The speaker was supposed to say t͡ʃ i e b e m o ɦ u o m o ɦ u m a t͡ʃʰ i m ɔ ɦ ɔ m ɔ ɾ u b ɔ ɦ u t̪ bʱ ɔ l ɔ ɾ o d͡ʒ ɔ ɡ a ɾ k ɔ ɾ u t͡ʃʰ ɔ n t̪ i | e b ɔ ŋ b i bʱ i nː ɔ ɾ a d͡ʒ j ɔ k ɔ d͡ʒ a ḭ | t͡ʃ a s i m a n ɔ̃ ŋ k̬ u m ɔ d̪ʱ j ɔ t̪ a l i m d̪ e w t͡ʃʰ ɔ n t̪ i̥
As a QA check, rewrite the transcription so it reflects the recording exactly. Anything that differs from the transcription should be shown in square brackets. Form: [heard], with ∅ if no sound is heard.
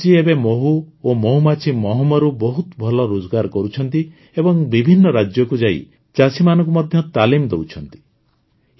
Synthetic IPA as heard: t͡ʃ i e b e m o ɦ u o m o ɦ u m a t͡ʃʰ i m ɔ ɦ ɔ m ɔ ɾ u b ɔ ɦ u t̪ bʱ ɔ l ɔ ɾ o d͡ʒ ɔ ɡ a ɾ k ɔ ɾ u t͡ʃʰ ɔ n t̪ i | e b ɔ ŋ b i bʱ i nː ɔ ɾ a d͡ʒ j ɔ k [u] d͡ʒ a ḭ | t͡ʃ a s i m a n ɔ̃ ŋ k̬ u m ɔ d̪ʱ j ɔ t̪ a l i m d̪ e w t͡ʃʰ ɔ n t̪ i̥